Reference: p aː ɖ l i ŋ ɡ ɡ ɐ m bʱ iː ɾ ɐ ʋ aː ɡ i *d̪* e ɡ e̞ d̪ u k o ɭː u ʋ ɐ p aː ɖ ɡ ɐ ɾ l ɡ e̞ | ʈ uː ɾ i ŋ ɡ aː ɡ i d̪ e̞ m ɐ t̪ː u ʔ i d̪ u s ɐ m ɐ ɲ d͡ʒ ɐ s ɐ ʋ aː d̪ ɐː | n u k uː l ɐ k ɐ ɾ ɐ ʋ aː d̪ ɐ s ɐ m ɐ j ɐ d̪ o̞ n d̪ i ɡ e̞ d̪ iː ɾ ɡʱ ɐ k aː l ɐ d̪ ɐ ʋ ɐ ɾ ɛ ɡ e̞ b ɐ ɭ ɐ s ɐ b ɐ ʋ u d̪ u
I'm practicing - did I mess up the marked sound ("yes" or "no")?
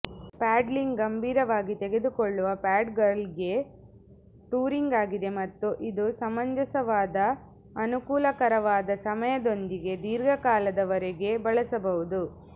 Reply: yes